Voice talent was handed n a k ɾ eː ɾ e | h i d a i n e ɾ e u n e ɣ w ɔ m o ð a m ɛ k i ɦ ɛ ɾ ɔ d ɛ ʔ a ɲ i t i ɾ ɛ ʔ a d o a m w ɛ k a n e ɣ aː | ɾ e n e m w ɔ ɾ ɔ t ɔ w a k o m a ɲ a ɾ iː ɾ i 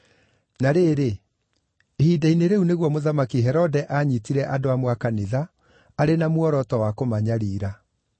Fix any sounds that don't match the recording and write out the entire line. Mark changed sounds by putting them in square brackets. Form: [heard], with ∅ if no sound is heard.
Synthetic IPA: n a [∅] ɾ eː ɾ e | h i d a i n e ɾ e u n e ɣ w ɔ m o ð a m [a] k i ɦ ɛ ɾ ɔ d ɛ ʔ a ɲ i t i ɾ ɛ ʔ a d o a m w [a] k a n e [ð] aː | ɾ e n [a] m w ɔ ɾ ɔ t ɔ w a k o m a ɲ a ɾ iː ɾ [a]